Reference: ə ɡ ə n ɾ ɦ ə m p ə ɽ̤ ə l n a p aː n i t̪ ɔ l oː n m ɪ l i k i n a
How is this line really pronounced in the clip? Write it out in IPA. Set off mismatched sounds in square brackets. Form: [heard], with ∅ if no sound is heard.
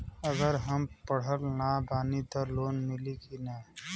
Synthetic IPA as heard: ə ɡ ə [∅] ɾ ɦ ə m p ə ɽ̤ ə l n a [b] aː n i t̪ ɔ l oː n m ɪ l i k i n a